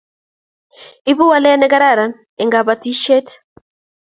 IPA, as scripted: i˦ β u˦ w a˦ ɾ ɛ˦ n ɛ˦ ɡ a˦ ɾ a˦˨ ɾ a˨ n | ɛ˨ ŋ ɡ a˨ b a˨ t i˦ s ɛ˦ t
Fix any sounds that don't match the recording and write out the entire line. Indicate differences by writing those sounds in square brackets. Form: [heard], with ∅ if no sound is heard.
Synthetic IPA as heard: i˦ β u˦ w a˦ [l] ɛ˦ n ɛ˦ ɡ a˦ ɾ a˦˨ ɾ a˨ n | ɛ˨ ŋ ɡ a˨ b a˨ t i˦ [ʃ] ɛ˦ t